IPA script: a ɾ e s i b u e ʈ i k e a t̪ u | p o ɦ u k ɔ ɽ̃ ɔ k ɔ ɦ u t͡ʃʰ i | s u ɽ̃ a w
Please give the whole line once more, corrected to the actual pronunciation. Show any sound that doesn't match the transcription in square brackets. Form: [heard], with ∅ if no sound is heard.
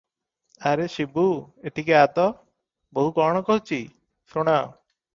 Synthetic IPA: a ɾ e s i b u e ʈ i k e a t̪ [ɔ] | [b] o ɦ u k ɔ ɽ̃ ɔ k ɔ ɦ u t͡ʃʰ i | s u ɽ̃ a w